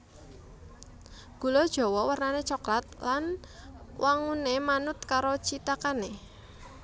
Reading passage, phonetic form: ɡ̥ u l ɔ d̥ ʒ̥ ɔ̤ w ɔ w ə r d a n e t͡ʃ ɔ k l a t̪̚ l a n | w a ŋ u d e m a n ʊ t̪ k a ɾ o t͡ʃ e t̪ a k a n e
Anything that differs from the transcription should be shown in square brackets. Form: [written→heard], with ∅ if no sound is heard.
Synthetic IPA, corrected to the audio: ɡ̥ u l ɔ d̥ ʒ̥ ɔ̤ w ɔ w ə r [d→n] a n e t͡ʃ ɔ k l a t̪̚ l a n | w a ŋ u [d→n] e m a n ʊ t̪ k a ɾ o t͡ʃ [e→i] t̪ a k a n e

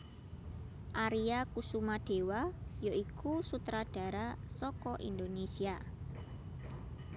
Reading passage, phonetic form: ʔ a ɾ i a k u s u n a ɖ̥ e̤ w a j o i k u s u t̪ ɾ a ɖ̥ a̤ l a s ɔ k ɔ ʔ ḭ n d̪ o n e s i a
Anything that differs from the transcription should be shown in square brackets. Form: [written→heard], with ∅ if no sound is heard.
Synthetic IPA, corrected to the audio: ʔ a ɾ i a k u s u [n→m] a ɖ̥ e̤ w a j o i k u s u t̪ ɾ a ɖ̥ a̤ [l→ɾ] a s ɔ k ɔ ʔ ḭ n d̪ o n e s i a

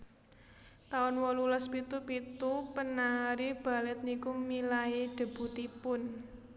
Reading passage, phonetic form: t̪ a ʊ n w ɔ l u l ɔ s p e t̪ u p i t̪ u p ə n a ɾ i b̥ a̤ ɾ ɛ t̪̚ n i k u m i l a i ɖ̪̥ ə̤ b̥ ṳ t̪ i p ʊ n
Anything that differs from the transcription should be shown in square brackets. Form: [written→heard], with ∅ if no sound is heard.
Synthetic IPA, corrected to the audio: t̪ a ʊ n w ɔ l u l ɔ s p [e→i] t̪ u p i t̪ u p ə n a ɾ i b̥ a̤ [ɾ→l] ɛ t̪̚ n i k u m i l a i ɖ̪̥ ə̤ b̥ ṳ t̪ i p ʊ n

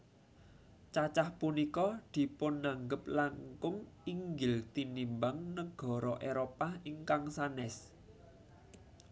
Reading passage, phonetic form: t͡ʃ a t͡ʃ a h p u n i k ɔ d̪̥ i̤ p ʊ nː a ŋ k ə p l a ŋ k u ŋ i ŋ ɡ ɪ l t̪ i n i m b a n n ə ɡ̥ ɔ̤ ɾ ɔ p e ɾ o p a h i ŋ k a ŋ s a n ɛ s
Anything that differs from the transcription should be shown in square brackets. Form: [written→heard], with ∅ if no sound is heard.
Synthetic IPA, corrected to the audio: t͡ʃ a t͡ʃ a h p u n i k ɔ d̪̥ i̤ p ʊ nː a ŋ [k→ɡ] ə p l a ŋ k [u→ʊ] ŋ i ŋ ɡ ɪ l t̪ i n i m b a [n→ŋ] n ə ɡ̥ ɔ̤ ɾ ɔ [p→ʔ] e ɾ o p a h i ŋ k a ŋ s a n ɛ s

